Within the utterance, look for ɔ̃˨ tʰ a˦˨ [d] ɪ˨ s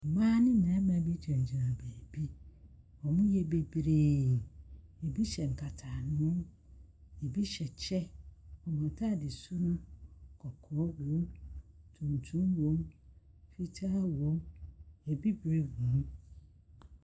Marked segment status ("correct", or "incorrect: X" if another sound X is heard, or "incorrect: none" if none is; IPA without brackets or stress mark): correct